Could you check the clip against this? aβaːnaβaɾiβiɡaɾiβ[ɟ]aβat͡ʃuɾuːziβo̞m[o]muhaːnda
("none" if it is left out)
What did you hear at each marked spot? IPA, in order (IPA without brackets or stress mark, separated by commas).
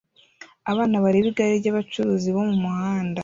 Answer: ɟ, u